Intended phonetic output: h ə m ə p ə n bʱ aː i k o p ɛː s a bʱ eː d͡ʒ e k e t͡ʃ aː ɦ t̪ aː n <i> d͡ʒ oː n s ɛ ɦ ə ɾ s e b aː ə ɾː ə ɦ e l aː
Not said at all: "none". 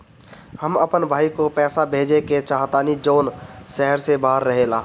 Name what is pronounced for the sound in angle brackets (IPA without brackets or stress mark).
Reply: i